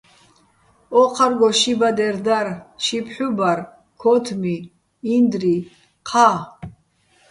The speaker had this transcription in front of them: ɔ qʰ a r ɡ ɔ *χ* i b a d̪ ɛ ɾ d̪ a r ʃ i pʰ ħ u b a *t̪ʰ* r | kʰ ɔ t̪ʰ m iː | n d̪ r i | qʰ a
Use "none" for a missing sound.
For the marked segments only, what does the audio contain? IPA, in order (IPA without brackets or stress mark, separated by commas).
ʃ, none